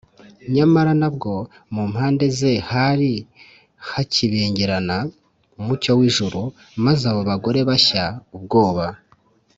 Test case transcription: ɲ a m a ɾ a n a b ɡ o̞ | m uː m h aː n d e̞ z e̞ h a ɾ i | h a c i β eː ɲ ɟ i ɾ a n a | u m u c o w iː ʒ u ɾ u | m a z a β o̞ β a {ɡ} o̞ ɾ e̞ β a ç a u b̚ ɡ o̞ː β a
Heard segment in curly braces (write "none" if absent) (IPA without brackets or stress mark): ɡ